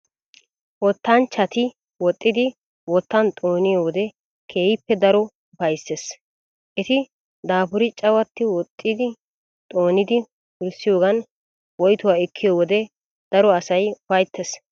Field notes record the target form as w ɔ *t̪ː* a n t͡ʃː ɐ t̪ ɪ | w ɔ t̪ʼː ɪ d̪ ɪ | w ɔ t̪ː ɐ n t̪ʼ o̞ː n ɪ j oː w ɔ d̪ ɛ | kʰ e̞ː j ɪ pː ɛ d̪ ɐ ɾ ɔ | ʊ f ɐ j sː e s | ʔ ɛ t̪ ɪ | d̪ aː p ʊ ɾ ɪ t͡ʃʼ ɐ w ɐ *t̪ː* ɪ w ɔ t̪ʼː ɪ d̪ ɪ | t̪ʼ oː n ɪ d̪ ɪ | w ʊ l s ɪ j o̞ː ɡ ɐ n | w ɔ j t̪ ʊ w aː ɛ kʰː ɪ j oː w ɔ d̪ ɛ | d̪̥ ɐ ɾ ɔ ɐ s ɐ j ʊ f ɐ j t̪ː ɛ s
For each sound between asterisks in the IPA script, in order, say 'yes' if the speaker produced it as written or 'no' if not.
yes, yes

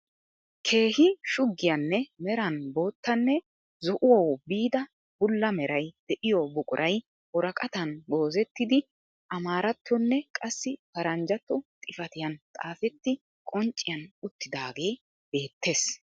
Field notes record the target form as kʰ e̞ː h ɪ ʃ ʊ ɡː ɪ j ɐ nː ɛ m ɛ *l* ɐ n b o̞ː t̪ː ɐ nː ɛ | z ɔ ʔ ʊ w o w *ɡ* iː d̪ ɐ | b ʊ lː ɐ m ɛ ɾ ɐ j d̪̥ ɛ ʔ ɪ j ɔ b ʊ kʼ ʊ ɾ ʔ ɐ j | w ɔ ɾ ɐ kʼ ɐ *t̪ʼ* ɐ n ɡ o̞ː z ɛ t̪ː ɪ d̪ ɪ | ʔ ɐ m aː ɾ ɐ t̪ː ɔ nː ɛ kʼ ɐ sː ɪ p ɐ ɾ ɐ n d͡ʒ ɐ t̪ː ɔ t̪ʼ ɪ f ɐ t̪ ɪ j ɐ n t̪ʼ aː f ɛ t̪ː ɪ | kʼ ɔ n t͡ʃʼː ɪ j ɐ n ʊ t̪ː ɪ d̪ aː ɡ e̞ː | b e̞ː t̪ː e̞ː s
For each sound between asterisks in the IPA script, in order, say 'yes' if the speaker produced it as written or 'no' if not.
no, no, no

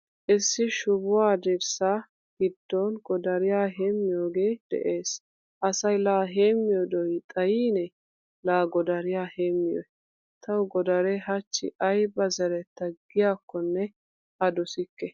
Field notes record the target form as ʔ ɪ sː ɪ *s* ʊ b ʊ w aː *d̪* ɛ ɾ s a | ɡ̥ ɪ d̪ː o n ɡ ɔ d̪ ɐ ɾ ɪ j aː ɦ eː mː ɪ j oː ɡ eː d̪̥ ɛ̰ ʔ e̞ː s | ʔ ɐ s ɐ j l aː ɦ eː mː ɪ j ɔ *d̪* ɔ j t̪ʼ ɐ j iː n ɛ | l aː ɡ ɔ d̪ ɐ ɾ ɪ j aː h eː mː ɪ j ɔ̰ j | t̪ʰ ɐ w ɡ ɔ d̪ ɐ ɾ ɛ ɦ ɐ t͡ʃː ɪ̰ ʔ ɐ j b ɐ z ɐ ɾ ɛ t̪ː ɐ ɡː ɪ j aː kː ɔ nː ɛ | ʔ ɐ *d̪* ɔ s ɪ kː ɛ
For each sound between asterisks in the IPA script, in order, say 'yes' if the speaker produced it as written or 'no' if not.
no, yes, yes, yes

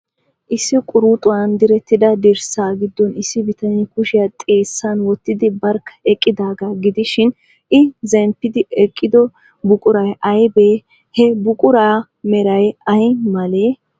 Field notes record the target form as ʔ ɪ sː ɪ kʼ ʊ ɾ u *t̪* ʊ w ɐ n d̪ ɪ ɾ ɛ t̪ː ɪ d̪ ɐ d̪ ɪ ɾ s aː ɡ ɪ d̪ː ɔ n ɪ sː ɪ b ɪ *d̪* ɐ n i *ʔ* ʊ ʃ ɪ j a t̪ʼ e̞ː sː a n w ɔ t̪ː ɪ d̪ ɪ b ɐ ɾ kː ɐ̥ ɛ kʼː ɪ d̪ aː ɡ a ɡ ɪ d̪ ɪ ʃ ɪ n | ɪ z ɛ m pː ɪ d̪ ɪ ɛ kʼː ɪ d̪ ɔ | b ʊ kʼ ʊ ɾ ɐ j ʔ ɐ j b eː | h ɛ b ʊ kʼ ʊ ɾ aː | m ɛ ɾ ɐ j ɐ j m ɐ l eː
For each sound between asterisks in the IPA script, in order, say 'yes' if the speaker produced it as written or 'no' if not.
no, no, no

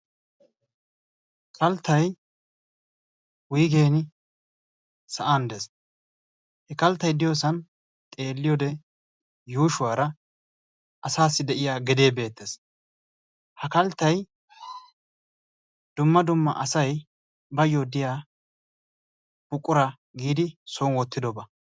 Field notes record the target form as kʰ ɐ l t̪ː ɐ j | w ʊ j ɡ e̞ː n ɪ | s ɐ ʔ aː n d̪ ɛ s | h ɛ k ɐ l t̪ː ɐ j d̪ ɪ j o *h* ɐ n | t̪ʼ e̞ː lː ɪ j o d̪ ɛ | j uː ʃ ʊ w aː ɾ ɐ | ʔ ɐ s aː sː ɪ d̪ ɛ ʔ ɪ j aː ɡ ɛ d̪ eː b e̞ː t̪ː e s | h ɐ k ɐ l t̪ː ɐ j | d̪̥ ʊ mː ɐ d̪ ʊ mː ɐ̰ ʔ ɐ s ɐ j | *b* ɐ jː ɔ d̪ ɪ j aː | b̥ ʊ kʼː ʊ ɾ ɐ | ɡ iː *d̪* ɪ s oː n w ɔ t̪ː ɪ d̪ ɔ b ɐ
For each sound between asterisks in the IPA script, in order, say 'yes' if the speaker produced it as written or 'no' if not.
no, yes, yes

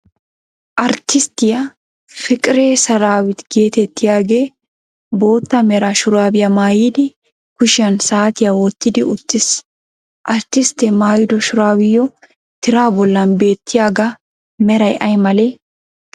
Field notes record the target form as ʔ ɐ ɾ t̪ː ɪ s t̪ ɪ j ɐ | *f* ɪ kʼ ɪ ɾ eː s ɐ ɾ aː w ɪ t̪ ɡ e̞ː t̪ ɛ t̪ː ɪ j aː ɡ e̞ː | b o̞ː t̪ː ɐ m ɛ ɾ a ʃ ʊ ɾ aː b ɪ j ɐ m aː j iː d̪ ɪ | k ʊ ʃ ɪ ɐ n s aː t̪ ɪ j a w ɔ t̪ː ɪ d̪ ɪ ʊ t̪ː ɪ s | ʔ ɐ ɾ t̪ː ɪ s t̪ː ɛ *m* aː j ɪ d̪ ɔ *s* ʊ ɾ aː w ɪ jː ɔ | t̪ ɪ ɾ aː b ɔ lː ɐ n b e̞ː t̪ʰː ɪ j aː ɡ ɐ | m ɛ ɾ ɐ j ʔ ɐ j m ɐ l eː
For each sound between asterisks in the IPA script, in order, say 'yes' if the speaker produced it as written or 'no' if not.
yes, yes, no

